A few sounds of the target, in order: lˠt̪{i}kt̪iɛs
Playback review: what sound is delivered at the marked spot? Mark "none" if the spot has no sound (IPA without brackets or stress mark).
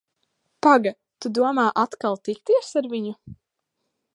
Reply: i